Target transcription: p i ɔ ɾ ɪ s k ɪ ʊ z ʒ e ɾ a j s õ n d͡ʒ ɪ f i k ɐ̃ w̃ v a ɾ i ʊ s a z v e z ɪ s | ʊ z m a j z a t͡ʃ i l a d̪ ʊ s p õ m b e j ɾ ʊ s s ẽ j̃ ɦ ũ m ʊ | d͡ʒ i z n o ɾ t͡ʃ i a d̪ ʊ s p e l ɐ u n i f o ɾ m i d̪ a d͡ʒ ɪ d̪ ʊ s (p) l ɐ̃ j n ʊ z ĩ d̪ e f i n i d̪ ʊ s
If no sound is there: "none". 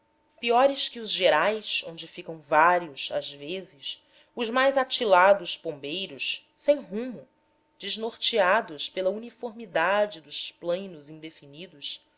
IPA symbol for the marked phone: p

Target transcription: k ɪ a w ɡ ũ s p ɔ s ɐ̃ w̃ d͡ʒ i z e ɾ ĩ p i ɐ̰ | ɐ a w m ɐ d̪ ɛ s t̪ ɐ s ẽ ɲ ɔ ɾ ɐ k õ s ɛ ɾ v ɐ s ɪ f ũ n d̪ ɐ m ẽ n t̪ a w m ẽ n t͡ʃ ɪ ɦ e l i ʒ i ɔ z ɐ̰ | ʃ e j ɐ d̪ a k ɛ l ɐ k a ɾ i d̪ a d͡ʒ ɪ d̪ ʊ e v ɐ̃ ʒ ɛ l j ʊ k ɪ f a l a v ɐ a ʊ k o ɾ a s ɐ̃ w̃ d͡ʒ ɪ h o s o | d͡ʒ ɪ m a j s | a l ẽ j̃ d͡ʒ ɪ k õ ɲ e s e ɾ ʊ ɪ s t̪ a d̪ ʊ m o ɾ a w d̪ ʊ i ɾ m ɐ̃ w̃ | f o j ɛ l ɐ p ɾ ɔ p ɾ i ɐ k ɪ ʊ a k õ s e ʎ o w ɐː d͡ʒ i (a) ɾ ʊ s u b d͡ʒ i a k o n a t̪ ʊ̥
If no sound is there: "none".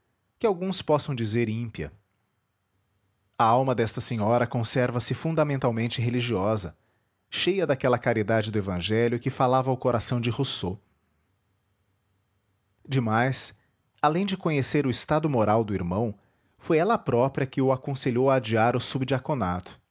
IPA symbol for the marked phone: a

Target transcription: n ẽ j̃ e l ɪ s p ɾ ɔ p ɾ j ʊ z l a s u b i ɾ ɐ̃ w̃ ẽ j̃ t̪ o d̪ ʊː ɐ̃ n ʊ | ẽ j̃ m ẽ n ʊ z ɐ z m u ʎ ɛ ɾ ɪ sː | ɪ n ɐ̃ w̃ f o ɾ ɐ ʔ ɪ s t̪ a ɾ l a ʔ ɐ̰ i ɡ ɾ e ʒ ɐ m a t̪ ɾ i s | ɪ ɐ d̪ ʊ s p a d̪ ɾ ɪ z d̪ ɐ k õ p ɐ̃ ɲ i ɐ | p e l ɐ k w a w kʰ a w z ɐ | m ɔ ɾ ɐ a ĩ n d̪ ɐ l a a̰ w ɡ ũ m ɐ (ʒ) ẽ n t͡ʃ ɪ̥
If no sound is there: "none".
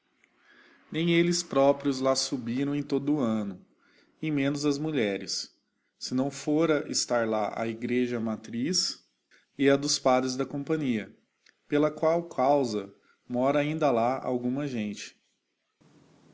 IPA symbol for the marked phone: ʒ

